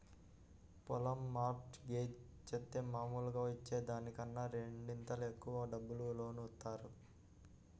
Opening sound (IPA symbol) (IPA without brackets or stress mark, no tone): p